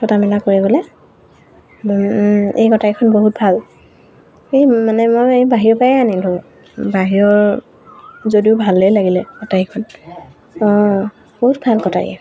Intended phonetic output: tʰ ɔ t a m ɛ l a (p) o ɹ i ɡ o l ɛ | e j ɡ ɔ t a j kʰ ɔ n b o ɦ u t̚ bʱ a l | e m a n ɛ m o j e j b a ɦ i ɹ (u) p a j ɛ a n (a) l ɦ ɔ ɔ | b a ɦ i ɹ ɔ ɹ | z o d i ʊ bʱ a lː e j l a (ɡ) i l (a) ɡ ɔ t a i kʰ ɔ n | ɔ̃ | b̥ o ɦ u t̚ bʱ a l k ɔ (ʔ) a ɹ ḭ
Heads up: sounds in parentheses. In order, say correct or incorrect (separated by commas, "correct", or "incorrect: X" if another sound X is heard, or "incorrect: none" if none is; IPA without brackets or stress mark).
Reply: incorrect: k, incorrect: ɔ, incorrect: i, correct, incorrect: ɛ, incorrect: t